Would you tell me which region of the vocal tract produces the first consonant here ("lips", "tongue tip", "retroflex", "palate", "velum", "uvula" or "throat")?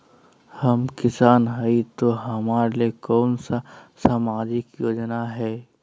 throat